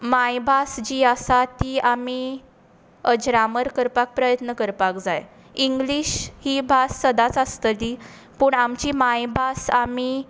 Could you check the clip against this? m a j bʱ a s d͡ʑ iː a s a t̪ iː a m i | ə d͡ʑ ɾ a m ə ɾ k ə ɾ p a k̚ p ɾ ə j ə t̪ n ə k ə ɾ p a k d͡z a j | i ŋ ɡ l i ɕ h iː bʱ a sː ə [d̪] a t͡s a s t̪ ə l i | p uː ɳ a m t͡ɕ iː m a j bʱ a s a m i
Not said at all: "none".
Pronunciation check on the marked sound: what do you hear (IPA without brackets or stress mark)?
d̪